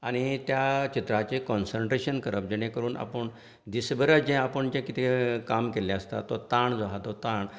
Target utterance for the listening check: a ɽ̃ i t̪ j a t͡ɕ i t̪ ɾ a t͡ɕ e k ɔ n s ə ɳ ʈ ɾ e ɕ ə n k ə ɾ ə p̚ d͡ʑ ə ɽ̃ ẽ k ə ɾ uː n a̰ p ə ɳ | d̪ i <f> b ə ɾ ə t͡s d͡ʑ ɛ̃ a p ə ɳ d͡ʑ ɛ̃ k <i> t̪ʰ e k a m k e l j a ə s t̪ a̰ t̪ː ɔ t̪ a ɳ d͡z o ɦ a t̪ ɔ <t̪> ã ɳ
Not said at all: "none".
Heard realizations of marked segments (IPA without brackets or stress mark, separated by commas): s, i, t̪